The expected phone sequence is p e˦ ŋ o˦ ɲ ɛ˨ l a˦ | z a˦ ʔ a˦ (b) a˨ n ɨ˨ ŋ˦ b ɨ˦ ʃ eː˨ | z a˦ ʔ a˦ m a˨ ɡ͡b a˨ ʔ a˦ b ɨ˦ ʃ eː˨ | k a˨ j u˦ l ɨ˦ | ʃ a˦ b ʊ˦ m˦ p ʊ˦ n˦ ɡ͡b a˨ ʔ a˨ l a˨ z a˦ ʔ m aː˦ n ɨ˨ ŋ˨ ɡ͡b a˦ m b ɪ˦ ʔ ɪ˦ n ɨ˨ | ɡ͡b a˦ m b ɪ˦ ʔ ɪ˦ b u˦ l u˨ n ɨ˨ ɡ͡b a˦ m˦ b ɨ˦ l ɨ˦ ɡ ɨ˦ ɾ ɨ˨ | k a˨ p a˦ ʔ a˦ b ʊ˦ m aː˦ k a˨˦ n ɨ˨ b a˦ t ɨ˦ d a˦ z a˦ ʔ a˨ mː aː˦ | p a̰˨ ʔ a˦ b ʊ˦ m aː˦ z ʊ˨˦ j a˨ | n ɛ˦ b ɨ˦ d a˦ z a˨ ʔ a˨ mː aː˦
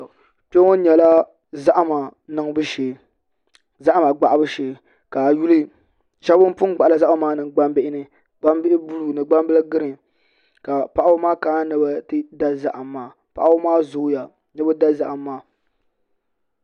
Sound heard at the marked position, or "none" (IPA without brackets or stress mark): m